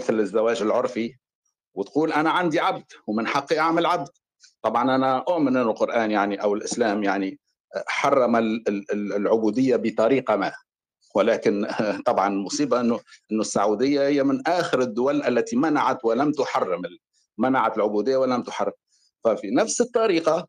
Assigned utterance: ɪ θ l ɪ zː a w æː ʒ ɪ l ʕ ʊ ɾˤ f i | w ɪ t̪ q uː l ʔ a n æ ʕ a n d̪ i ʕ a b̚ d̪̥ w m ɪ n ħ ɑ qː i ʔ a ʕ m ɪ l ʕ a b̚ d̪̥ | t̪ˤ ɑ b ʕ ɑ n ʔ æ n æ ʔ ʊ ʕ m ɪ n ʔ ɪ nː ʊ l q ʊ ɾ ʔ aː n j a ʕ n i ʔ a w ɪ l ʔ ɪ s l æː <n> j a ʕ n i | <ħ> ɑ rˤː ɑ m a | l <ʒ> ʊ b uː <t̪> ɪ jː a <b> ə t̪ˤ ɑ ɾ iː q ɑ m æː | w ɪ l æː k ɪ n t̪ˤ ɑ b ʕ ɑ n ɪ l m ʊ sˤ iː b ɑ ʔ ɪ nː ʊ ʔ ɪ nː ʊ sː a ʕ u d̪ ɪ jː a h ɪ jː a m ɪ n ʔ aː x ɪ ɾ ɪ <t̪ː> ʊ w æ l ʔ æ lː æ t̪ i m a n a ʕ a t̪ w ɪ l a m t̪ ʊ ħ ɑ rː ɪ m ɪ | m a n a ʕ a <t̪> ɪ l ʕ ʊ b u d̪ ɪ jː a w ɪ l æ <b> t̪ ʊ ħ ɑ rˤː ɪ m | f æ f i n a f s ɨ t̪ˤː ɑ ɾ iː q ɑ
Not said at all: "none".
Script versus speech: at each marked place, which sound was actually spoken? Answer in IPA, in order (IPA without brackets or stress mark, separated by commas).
m, ħ, ʕ, d̪, b, d̪ː, t̪, m